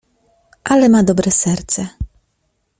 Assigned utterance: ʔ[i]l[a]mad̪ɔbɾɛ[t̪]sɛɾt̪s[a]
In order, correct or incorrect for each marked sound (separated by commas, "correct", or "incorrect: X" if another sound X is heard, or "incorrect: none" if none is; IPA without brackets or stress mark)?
incorrect: a, incorrect: ɛ, incorrect: none, incorrect: ɛ